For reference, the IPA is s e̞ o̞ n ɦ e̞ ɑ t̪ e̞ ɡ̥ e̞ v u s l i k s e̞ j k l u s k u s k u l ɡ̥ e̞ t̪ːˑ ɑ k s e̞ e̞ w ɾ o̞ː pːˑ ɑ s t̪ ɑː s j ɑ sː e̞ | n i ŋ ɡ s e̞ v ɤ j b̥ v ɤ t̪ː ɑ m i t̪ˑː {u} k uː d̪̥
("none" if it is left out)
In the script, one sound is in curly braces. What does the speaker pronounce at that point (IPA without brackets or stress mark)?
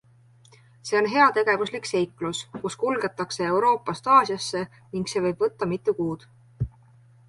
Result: u